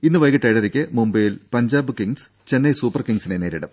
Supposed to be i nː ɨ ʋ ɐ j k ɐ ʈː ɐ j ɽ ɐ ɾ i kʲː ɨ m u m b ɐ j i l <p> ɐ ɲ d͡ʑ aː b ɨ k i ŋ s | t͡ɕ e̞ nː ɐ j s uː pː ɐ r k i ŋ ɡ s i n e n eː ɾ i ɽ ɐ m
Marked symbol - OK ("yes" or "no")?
yes